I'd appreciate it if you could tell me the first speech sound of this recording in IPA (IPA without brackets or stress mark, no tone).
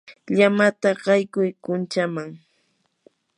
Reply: ʎ